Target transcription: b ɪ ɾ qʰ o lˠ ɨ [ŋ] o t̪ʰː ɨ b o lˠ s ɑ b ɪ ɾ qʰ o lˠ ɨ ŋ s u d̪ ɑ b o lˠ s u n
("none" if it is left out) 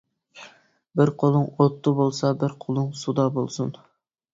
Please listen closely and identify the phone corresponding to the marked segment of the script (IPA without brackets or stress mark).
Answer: ŋ